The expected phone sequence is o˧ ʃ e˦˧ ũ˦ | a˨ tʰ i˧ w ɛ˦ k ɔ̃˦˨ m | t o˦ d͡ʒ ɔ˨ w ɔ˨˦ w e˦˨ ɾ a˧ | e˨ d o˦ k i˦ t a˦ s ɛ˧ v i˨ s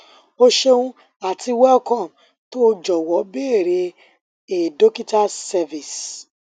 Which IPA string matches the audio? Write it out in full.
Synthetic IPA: o˧ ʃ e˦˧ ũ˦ | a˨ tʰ i˧ w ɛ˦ k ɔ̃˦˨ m | t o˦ d͡ʒ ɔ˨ w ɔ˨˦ b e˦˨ ɾ e˧ | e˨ d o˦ k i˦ t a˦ s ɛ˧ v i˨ s